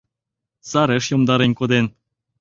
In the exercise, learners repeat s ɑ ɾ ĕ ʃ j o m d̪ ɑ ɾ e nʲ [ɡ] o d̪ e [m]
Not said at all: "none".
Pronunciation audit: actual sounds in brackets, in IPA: k, n

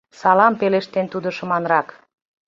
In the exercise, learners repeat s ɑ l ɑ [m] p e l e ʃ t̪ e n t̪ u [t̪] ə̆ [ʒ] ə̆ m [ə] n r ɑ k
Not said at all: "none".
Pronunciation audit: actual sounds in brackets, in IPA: m, d̪, ʃ, ɑ

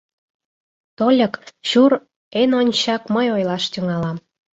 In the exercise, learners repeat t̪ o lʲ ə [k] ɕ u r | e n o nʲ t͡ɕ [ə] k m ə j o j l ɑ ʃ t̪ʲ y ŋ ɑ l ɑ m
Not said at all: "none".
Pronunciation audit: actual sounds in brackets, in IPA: k, ɑ

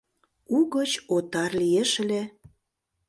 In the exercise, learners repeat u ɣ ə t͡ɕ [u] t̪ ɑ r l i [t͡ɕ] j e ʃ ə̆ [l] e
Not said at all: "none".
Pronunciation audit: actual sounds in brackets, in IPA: o, none, l

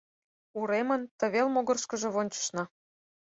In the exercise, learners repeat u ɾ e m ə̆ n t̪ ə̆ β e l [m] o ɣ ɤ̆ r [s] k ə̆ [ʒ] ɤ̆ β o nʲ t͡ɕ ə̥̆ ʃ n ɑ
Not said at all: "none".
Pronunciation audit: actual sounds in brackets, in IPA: m, ʃ, ʒ

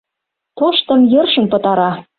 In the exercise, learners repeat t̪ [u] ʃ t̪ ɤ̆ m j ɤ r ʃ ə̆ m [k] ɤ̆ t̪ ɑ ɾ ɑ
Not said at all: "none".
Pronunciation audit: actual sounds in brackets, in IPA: o, p

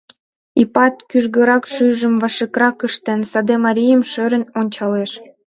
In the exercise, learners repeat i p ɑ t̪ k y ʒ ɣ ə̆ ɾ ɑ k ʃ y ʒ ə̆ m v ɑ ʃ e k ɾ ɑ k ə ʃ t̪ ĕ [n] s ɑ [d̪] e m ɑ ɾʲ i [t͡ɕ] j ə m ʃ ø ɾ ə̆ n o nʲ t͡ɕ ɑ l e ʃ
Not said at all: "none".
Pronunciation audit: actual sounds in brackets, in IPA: n, d̪, none

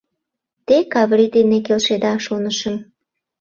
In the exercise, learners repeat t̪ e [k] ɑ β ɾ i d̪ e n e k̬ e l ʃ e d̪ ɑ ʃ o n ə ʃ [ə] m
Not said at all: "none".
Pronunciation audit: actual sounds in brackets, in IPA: k, ə

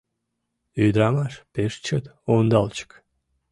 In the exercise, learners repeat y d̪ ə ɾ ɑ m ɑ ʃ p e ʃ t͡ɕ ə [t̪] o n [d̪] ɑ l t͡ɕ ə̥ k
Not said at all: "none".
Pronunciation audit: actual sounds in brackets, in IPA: t̪, d̪

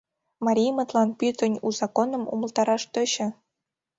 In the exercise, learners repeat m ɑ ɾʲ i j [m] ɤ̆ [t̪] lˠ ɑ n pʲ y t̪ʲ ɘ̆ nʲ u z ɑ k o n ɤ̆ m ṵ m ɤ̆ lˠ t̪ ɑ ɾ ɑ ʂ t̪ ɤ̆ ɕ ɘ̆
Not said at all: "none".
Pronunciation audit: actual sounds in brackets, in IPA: m, t̪

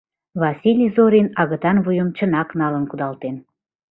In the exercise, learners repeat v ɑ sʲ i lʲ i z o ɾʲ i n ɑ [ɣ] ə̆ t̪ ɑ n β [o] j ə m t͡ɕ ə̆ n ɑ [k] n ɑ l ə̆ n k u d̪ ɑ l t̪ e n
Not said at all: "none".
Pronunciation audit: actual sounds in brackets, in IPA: ɣ, u, k

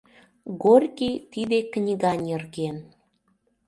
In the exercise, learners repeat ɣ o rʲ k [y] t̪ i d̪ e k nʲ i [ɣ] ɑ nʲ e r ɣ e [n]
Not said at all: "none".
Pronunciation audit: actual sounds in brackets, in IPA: i, ɣ, n

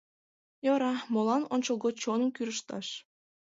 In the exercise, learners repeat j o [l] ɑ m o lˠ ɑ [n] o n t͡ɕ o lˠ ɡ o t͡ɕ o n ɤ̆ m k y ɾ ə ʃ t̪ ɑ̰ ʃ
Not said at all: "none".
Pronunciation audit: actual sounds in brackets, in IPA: ɾ, n

